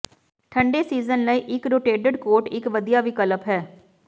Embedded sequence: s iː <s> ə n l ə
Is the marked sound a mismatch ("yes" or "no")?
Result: yes